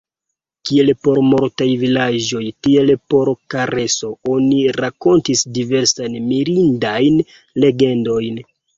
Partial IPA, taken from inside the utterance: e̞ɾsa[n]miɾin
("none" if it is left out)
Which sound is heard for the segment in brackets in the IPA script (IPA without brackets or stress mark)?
n